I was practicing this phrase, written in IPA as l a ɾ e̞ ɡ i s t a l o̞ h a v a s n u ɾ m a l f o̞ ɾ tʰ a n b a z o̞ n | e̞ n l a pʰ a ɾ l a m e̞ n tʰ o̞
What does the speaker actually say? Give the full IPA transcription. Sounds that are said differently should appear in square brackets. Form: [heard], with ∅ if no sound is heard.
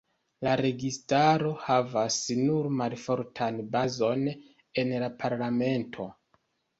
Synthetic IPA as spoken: l a ɾ e̞ ɡ i s t a [ɾ] o̞ h a v a s n u ɾ m a l f o̞ ɾ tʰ a n b a z o̞ n | e̞ n l a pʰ a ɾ l a m e̞ n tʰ o̞